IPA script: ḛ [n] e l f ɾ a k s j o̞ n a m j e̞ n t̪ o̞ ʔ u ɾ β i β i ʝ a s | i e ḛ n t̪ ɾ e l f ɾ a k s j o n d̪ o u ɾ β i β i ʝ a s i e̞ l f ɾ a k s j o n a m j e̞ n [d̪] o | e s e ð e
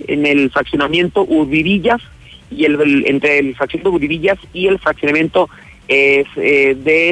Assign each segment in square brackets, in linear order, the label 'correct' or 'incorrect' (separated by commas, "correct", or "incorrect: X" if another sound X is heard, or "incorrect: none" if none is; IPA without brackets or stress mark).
correct, incorrect: t̪